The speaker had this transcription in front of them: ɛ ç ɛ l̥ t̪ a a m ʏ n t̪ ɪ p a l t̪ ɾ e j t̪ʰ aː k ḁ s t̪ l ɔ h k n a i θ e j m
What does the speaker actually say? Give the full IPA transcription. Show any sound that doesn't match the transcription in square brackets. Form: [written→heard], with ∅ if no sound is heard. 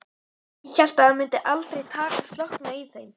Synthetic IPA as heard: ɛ ç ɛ l̥ t̪ a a m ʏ n t̪ ɪ [p→ʔ] a l t̪ ɾ e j t̪ʰ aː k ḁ s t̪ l ɔ h k n a i θ e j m